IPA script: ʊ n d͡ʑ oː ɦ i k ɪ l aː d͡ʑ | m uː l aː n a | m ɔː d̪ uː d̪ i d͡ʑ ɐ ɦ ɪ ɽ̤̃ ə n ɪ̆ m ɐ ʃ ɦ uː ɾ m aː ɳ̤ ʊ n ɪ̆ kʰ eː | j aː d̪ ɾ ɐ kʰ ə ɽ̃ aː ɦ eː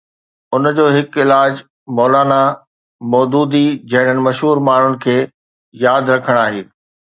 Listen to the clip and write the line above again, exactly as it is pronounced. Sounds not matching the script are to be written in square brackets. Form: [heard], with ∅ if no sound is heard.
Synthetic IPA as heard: ʊ n d͡ʑ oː ɦ [ɪ] k ɪ l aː d͡ʑ | m [ɔː] l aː n a | m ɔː d̪ uː d̪ i d͡ʑ ɐ ɦ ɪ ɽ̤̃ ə n ɪ̆ m ɐ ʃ ɦ uː ɾ m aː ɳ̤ ʊ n ɪ̆ kʰ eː | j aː d̪ ɾ ɐ kʰ ə ɽ̃ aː ɦ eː